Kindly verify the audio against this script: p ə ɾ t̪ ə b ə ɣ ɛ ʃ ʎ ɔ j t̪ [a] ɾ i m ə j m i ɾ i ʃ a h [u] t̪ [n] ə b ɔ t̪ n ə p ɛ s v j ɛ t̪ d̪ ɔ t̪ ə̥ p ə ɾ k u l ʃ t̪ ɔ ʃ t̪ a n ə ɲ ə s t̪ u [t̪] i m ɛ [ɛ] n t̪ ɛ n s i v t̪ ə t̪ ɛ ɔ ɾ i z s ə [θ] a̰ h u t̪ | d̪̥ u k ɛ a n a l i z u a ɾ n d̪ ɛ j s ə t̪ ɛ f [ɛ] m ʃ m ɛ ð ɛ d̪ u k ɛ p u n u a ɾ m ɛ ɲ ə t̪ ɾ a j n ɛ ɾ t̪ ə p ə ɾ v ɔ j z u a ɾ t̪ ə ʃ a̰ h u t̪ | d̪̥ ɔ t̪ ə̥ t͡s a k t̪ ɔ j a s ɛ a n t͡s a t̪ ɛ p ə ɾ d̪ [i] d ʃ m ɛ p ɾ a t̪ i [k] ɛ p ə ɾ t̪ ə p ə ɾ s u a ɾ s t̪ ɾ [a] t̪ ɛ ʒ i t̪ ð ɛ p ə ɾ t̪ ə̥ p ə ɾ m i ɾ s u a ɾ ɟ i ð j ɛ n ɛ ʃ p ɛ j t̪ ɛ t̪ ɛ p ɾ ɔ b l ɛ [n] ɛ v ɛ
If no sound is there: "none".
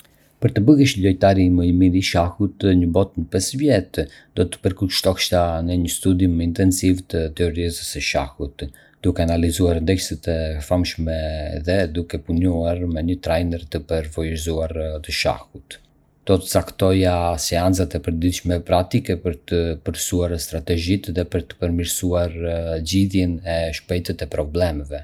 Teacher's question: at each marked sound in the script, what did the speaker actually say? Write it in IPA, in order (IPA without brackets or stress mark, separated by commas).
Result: a, u, ɲ, d̪, i, ʃ, a, i, k, a, m